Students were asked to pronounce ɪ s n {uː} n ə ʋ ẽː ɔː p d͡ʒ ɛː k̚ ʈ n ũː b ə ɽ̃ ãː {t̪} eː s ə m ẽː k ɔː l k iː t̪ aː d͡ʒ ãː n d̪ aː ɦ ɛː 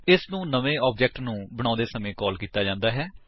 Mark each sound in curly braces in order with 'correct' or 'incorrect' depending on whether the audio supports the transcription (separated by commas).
incorrect, incorrect